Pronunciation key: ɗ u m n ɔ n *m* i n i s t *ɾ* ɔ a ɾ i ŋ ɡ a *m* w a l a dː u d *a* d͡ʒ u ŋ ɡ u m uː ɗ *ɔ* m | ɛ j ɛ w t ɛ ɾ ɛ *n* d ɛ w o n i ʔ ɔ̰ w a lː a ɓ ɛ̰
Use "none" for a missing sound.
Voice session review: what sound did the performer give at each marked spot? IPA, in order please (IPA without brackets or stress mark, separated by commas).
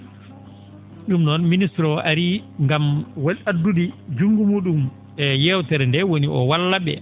m, ɾ, m, i, u, n